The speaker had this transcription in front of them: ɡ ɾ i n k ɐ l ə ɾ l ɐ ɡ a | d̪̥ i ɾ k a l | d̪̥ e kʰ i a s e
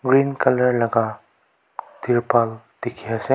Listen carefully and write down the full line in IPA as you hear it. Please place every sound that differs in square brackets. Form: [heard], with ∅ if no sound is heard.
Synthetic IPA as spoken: ɡ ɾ i n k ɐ l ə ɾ l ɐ ɡ a | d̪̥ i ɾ [p] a l | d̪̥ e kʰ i a s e